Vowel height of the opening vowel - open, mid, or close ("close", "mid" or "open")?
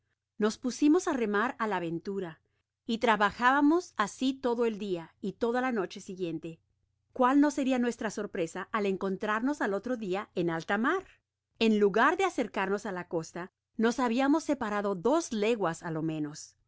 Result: mid